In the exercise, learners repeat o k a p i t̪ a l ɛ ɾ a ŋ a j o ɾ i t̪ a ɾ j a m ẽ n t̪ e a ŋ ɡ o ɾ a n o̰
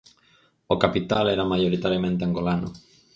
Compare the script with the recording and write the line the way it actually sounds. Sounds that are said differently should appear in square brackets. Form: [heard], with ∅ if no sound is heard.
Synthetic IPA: o k a p i t̪ a l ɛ ɾ a [m] a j o ɾ i t̪ a ɾ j a m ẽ n t̪ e a ŋ ɡ o [l] a n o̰